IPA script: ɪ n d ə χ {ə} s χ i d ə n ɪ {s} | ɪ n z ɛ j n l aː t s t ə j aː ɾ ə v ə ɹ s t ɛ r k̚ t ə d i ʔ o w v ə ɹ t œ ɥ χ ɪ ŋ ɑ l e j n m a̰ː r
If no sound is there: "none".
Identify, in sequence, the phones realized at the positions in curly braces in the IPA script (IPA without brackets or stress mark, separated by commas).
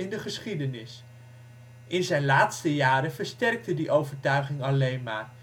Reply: ə, s